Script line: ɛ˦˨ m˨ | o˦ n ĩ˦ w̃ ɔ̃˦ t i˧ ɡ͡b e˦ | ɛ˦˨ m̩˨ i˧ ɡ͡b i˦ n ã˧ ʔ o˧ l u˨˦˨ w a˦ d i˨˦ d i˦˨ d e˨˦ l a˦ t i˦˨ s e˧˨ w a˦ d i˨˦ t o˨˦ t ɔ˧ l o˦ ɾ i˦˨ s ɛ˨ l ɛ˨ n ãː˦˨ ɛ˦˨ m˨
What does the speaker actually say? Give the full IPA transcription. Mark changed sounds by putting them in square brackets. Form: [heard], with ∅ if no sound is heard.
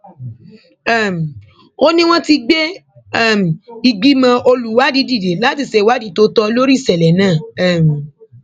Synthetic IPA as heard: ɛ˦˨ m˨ | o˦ n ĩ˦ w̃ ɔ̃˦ t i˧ ɡ͡b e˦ | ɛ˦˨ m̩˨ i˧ ɡ͡b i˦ [m] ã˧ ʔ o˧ l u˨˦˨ w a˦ d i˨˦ d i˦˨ d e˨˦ l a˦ t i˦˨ s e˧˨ w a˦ d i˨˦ t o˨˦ t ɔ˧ l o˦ ɾ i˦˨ s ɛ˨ l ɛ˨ n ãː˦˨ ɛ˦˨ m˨